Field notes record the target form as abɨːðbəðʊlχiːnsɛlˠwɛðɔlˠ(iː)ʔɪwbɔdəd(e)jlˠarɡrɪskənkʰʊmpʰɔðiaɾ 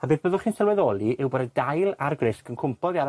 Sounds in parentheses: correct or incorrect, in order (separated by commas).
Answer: incorrect, incorrect